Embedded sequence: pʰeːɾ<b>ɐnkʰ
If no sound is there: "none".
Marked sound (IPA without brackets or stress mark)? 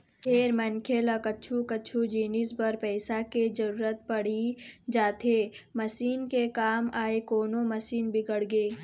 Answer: m